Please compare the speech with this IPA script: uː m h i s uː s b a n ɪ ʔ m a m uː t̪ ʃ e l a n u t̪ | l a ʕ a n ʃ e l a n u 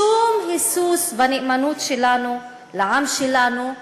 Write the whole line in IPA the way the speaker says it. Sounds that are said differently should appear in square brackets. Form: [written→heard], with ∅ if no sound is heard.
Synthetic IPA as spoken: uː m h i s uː s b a n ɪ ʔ m a [m→n] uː t̪ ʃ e l a n u [t̪→∅] | l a ʕ a [n→m] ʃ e l a n u